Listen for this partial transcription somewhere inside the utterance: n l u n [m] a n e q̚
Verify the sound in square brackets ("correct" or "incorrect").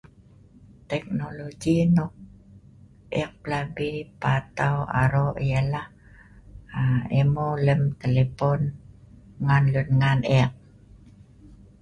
incorrect